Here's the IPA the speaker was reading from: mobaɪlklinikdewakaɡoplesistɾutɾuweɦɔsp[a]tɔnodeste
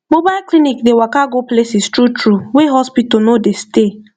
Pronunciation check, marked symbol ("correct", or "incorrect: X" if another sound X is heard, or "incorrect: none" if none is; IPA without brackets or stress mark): incorrect: i